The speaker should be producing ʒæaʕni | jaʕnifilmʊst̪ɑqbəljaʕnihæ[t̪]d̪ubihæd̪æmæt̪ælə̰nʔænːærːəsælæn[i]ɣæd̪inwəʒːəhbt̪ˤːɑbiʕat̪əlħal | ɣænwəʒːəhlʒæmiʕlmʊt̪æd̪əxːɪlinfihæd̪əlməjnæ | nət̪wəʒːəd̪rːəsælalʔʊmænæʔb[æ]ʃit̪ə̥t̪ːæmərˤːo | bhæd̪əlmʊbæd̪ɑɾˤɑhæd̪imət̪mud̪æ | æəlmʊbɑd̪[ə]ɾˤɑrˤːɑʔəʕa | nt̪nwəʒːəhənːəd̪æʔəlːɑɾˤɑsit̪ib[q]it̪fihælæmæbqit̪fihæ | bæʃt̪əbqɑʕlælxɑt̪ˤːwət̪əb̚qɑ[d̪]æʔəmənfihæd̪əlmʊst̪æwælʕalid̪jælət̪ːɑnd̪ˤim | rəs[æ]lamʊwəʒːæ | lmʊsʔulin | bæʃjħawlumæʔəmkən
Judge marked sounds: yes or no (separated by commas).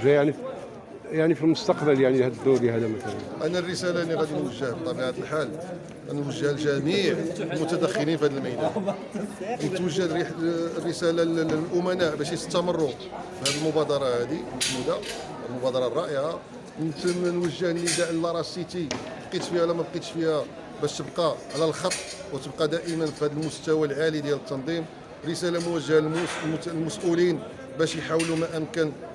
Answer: no, yes, yes, no, yes, yes, yes